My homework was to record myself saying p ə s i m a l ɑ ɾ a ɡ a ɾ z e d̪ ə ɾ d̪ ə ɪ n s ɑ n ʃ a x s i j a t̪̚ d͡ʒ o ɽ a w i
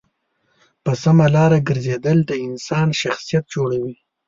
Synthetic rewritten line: p ə s a m a l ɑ ɾ a ɡ ə ɾ z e d̪ ə l d̪ ə ɪ n s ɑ n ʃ a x s i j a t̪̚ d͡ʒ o ɽ a w i